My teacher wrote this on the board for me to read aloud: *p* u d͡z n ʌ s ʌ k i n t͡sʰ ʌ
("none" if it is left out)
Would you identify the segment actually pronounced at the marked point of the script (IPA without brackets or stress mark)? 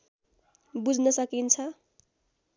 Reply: b